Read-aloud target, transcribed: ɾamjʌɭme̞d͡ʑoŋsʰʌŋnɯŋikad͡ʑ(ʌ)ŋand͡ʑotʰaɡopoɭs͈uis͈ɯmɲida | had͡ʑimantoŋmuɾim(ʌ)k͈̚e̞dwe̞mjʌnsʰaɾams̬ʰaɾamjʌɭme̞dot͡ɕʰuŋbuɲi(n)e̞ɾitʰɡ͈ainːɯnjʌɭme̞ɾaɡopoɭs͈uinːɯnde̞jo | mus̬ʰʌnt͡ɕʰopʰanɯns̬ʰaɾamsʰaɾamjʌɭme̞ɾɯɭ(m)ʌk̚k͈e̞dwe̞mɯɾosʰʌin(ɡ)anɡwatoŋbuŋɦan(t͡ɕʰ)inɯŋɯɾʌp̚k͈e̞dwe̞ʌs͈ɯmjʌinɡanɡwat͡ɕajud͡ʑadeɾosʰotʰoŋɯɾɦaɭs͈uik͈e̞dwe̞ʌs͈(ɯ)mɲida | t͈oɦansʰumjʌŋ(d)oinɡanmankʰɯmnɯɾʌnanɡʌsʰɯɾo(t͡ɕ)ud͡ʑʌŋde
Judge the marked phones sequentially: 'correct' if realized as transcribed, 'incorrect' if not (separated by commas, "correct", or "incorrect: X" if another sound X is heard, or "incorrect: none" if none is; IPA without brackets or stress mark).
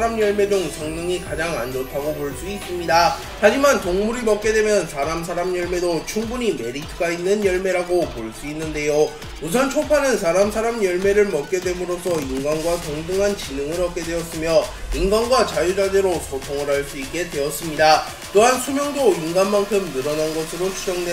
incorrect: a, correct, incorrect: m, correct, correct, incorrect: t͡ɕ, correct, correct, incorrect: t͡ɕʰ